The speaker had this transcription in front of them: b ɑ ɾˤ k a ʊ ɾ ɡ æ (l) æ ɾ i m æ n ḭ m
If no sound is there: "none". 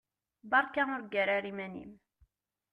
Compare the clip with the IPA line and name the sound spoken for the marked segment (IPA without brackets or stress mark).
ɾ